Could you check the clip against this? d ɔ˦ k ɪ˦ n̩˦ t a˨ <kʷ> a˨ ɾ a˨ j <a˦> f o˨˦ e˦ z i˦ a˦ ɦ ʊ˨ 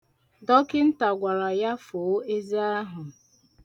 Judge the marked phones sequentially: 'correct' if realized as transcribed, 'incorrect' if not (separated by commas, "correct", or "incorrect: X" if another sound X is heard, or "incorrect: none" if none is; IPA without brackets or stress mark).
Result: incorrect: ɡʷ, correct